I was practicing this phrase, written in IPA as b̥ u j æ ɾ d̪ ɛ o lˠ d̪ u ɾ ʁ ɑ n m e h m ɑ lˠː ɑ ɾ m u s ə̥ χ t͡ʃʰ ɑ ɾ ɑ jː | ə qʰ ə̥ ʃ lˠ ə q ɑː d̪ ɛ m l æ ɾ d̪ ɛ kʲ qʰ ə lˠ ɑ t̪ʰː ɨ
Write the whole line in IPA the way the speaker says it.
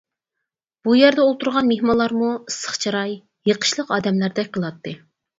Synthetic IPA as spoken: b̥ u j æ ɾ d̪ ɛ o lˠ t̪ u ɾ ʁ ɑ n m e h m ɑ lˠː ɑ ɾ m u s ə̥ χ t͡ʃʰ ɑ ɾ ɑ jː | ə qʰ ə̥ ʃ lˠ ə q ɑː d̪ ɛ m l æ ɾ d̪ ɛ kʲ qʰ ə lˠ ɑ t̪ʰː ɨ

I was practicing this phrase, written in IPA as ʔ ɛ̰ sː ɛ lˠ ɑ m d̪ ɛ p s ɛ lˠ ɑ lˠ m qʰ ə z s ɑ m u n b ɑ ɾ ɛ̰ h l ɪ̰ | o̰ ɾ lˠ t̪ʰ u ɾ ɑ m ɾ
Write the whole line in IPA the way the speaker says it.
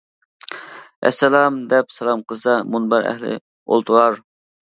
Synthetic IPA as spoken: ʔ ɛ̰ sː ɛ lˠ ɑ m d̪ ɛ p s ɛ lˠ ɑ m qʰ ə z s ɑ m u n b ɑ ɾ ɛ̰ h l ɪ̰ | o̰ lˠ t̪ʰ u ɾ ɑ ɾ

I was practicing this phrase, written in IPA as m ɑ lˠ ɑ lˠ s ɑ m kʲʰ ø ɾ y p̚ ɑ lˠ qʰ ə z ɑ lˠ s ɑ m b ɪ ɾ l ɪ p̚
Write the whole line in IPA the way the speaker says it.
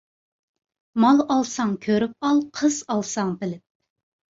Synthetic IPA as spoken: m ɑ lˠ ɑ lˠ s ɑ ŋ kʲʰ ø ɾ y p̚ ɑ lˠ qʰ ə z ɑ lˠ s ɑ ŋ b ɪ l ɪ p̚

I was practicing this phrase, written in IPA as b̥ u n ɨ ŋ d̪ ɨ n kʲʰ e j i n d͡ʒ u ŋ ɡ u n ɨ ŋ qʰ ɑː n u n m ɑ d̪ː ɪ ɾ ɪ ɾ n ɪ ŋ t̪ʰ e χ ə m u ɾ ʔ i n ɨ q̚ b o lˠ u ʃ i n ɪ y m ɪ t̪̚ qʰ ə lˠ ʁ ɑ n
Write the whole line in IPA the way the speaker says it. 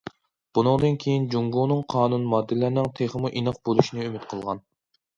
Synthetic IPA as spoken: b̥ u n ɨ ŋ d̪ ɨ n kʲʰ e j i n d͡ʒ u ŋ ɡ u n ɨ ŋ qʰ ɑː n u n m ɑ d̪ː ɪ l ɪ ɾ n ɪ ŋ t̪ʰ e χ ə m u ʔ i n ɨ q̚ b o lˠ u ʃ i n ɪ y m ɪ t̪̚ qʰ ə lˠ ʁ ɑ n

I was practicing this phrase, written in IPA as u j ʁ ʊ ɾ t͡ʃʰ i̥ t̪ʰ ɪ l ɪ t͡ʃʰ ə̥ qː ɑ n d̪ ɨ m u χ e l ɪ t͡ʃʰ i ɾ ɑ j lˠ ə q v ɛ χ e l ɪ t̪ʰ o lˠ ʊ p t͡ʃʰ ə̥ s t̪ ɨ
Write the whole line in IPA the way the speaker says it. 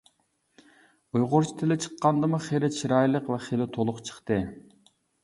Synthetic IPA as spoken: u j ʁ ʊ ɾ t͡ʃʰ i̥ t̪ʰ ɪ l ɪ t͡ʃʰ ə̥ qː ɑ n d̪ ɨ m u χ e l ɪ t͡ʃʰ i ɾ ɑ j lˠ ə q v ɛ χ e l ɪ t̪ʰ o lˠ ʊ q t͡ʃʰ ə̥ χ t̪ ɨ

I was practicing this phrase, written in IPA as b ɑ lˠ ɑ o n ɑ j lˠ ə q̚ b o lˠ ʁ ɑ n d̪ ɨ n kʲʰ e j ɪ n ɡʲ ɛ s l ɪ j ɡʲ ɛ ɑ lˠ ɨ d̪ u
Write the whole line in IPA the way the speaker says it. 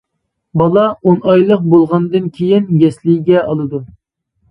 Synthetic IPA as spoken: b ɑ lˠ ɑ o n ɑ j lˠ ə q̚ b o lˠ ʁ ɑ n d̪ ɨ n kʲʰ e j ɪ n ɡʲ ɛ s l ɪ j ɡʲ ɛ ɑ lˠ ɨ d̪ u

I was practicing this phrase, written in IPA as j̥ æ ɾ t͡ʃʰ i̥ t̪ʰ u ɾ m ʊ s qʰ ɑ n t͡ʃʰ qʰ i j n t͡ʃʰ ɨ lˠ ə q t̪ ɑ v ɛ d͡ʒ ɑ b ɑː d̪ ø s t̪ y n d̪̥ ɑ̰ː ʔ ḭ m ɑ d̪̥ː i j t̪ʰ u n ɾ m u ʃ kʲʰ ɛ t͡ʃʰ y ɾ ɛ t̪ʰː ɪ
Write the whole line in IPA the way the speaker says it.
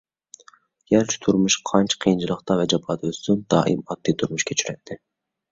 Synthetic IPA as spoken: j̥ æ ɾ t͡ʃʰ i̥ t̪ʰ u ɾ m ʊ ʃ qʰ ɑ n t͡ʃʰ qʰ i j n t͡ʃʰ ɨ lˠ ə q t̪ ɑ v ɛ d͡ʒ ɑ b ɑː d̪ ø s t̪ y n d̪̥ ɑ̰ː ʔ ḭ m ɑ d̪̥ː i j t̪ʰ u ɾ m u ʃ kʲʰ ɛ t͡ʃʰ y ɾ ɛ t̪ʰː ɪ

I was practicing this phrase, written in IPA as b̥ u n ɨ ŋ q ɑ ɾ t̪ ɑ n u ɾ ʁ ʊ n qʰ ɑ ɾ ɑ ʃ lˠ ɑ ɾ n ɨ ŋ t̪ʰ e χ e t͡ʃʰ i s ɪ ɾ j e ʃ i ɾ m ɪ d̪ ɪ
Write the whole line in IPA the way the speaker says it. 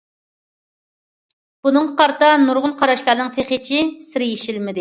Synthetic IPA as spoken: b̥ u n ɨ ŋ q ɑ ɾ t̪ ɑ n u ɾ ʁ ʊ n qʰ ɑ ɾ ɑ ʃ lˠ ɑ ɾ n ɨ ŋ t̪ʰ e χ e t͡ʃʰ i s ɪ ɾ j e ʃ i l m ɪ d̪ ɪ

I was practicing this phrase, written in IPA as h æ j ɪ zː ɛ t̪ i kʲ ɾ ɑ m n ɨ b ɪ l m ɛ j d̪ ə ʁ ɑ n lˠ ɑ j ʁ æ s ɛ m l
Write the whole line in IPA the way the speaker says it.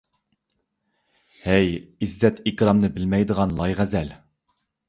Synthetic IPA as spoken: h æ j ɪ zː ɛ t̪ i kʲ ɾ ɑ m n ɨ b ɪ l m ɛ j d̪ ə ʁ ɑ n lˠ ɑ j ʁ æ z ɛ l

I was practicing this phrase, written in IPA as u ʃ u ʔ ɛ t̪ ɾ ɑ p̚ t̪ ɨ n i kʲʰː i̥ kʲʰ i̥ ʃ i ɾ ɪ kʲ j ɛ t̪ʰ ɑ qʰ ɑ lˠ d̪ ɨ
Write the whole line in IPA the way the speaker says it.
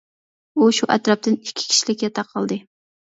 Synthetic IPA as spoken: u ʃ u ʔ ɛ t̪ ɾ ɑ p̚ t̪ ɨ n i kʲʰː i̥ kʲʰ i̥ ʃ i l ɪ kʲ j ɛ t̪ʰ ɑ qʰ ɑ lˠ d̪ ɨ

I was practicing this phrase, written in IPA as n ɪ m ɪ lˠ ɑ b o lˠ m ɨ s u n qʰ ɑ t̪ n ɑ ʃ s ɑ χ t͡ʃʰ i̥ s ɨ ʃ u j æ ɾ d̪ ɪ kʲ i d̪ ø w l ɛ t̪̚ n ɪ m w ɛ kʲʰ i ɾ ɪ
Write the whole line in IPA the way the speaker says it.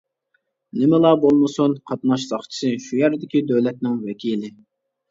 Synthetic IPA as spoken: n ɪ m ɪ lˠ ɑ b o lˠ m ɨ s u n qʰ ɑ t̪ n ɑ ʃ s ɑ χ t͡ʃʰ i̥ s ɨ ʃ u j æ ɾ d̪ ɪ kʲ i d̪ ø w l ɛ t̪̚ n ɪ ŋ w ɛ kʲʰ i l ɪ

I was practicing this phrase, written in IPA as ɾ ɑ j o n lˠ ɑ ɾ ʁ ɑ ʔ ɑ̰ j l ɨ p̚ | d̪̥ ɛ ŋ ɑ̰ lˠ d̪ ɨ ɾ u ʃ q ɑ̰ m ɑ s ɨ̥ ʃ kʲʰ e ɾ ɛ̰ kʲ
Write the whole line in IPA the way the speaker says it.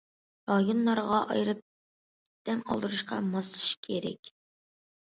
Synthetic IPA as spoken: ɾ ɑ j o n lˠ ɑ ɾ ʁ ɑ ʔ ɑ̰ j ɾ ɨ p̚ | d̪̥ ɛ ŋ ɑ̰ lˠ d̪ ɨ ɾ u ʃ q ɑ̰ m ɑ s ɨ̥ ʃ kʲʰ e ɾ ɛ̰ kʲ

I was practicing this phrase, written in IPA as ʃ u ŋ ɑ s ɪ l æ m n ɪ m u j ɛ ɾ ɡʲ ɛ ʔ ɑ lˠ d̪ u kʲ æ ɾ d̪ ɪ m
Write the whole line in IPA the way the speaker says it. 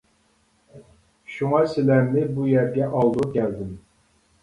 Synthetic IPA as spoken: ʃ u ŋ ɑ s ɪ l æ m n ɪ b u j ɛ ɾ ɡʲ ɛ ʔ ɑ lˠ d̪ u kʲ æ l d̪ ɪ m

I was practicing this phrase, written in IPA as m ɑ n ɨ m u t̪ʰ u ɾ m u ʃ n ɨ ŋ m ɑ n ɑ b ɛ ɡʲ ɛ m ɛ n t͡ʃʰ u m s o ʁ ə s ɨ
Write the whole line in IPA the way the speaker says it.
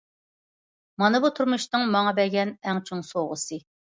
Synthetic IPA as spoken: m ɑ n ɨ b u t̪ʰ u ɾ m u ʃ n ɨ ŋ m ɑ ŋ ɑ b ɛ ɡʲ ɛ n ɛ ŋ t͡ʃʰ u ŋ s o ʁ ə s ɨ

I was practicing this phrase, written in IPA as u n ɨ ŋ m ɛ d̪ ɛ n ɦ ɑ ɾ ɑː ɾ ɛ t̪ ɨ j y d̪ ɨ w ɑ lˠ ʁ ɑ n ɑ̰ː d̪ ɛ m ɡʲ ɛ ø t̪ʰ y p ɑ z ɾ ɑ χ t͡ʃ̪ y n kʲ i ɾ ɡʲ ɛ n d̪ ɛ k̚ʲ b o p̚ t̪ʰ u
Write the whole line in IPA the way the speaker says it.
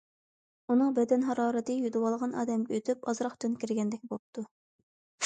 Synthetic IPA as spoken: u n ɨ ŋ b ɛ d̪ ɛ n ɦ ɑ ɾ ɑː ɾ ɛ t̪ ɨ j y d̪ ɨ w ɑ lˠ ʁ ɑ n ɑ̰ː d̪ ɛ m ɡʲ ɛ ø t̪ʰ y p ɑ z ɾ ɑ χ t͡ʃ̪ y n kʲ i ɾ ɡʲ ɛ n d̪ ɛ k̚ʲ b o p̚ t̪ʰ u

